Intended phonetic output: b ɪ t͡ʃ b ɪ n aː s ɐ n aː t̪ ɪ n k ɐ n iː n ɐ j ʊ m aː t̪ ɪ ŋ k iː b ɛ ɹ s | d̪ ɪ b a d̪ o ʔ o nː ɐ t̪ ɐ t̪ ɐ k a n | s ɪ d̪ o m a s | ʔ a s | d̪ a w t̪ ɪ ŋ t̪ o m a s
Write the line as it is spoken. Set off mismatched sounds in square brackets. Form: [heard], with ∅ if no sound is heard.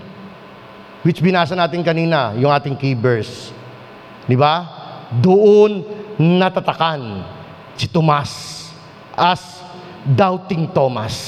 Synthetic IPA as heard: [w] ɪ t͡ʃ b ɪ n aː s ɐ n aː t̪ ɪ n k ɐ n iː n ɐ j ʊ [ŋ] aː t̪ ɪ ŋ k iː b ɛ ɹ s | d̪ ɪ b a d̪ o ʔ o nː ɐ t̪ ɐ t̪ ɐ k a n | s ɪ [t̪] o m a s | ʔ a s | d̪ a w t̪ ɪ ŋ t̪ o m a s